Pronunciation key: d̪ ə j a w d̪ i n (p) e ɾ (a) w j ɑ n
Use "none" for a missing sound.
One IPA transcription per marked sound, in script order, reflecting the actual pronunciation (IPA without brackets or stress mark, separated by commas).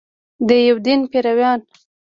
p, a